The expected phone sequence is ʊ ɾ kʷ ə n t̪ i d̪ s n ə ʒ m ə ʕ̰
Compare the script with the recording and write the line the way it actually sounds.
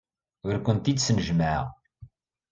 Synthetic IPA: ʊ ɾ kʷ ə n t̪ i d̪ s n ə ʒ m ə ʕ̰